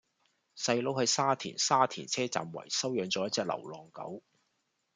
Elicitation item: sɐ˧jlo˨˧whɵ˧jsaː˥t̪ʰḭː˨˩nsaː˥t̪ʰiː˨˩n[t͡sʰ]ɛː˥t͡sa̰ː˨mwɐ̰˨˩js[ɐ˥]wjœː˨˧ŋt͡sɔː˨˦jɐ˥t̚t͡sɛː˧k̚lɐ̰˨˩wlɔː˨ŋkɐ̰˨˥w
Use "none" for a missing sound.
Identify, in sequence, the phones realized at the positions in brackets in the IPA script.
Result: t͡sʰ, ɐ˥

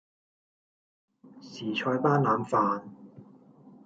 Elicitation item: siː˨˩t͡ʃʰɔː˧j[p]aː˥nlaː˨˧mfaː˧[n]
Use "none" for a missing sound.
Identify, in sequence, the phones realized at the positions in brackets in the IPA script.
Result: p, n

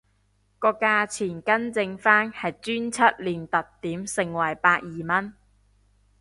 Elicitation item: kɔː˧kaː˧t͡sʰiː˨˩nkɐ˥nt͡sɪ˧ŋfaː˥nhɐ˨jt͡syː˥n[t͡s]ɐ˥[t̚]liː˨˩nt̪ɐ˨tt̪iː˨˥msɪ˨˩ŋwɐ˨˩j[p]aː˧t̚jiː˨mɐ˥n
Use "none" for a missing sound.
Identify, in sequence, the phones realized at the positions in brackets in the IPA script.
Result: t͡sʰ, t̚, p

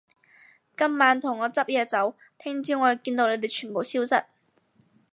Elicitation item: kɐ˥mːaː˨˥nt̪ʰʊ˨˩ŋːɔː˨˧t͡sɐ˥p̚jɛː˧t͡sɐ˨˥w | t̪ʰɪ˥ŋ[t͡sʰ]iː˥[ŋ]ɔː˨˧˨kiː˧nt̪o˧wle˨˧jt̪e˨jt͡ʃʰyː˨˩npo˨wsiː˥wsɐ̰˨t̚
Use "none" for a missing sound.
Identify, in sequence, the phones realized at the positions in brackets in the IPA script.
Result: t͡s, ŋ

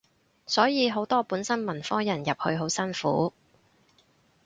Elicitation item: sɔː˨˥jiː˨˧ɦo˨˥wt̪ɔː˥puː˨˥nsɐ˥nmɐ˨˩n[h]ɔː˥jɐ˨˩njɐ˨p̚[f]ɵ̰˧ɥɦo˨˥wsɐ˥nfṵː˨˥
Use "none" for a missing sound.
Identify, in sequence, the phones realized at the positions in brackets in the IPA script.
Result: f, h

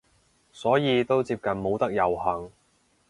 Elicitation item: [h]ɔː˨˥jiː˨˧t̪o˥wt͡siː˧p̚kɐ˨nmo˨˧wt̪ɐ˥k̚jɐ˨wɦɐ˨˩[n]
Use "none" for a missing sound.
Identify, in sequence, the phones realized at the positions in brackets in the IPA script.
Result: s, ŋ

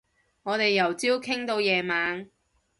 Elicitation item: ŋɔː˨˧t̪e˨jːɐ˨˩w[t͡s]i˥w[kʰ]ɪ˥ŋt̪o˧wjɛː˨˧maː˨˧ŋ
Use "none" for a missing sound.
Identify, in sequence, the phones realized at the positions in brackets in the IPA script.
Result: t͡s, kʰ

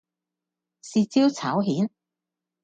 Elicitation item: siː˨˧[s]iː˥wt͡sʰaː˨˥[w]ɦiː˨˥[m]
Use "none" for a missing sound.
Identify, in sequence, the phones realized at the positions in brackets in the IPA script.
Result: t͡s, w, n

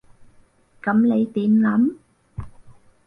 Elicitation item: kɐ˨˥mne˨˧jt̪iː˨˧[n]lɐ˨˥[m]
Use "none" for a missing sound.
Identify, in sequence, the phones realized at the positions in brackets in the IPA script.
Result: n, m

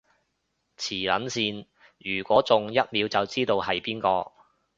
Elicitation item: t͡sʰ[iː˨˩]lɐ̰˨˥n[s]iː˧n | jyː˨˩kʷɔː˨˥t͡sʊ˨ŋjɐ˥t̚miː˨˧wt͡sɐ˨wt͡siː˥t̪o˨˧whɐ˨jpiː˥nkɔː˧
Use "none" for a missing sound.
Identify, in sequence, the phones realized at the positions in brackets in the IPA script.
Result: iː˨˩, s

